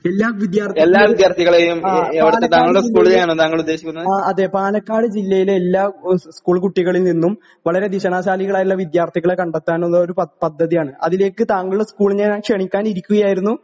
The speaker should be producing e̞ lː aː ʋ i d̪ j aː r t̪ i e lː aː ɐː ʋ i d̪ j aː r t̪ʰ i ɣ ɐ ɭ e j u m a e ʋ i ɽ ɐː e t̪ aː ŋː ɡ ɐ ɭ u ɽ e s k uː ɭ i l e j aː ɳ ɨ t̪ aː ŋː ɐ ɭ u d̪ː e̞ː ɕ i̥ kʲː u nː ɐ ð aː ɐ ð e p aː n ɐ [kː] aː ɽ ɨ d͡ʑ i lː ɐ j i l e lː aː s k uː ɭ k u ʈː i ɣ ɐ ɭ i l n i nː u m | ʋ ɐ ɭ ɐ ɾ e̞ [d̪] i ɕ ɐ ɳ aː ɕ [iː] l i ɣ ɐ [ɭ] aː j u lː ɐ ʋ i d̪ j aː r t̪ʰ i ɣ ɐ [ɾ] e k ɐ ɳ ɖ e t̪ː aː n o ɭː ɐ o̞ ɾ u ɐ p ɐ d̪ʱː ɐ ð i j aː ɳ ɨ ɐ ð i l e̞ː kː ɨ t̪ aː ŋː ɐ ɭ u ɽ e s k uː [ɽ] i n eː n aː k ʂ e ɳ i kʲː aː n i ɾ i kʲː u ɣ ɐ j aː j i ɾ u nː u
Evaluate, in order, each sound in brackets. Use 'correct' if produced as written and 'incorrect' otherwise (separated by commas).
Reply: correct, correct, incorrect, correct, incorrect, incorrect